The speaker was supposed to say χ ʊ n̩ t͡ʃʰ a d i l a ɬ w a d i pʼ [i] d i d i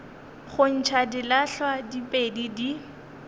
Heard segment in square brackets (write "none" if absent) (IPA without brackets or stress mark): e